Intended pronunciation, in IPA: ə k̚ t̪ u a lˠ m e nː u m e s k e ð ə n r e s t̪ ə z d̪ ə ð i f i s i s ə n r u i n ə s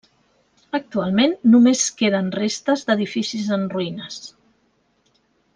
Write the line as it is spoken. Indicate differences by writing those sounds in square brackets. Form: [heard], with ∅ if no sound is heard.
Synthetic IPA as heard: ə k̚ t̪ u a lˠ m e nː u m e s k e ð ə n r e s t̪ ə z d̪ ə ð i f i s i [z] ə n r u i n ə s